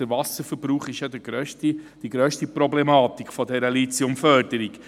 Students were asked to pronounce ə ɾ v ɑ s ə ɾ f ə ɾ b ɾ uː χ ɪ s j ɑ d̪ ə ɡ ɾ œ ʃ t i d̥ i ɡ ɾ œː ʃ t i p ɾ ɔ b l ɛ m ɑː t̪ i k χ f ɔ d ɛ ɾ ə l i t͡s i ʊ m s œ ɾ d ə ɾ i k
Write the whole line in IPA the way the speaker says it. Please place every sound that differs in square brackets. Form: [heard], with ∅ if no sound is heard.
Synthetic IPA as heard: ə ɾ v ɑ s ə ɾ f ə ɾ b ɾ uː χ ɪ [ʃ] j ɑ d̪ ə ɡ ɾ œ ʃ t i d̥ i ɡ ɾ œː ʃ t i p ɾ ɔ b l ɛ m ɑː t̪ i k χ f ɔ d ɛ ɾ ə l i t͡s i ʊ m [f] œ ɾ d ə ɾ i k